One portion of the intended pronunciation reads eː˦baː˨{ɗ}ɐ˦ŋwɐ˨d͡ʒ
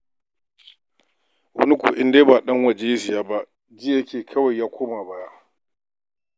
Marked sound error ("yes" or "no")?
no